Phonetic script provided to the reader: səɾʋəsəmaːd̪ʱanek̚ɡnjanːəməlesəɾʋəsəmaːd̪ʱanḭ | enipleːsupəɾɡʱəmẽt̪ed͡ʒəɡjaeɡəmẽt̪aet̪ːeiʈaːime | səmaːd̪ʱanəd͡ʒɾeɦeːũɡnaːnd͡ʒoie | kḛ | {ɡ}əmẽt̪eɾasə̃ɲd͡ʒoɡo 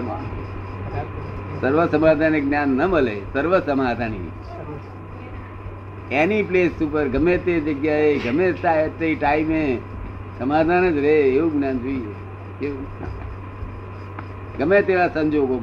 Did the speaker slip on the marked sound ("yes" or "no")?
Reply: no